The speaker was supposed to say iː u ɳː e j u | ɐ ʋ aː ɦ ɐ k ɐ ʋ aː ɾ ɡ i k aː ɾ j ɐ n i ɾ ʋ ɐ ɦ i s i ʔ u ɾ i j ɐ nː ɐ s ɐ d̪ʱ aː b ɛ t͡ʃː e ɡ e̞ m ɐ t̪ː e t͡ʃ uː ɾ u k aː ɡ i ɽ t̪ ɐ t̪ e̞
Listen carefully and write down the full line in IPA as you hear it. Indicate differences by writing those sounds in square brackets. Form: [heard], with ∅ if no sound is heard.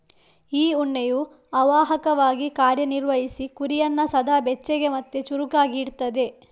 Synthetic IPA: iː u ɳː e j u | ɐ ʋ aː ɦ ɐ k ɐ ʋ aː [∅] ɡ i k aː ɾ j ɐ n i ɾ ʋ ɐ ɦ i s i [k] u ɾ i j ɐ nː ɐ s ɐ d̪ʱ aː b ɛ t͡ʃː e ɡ e̞ m ɐ t̪ː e t͡ʃ [u] ɾ u k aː ɡ i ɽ t̪ ɐ [d̪] e̞